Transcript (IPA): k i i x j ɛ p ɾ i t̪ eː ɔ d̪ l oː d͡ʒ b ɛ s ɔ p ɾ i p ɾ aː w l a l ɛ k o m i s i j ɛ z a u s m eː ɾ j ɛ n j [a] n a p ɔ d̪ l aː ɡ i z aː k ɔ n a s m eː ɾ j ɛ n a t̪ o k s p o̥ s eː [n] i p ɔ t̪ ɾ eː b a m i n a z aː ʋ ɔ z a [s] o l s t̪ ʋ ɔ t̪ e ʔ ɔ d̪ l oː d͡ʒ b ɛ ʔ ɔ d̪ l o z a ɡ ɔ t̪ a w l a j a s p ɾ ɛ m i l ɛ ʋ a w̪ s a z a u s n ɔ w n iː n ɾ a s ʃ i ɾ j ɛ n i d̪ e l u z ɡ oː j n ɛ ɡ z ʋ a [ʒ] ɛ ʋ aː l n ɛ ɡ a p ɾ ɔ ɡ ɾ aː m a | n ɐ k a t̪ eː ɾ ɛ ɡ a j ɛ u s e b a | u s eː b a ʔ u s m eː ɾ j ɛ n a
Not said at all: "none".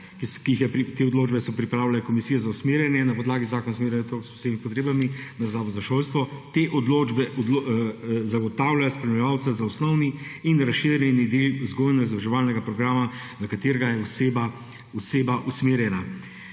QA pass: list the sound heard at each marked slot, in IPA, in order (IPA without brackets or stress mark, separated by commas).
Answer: ɛ, m, ʃ, ʒ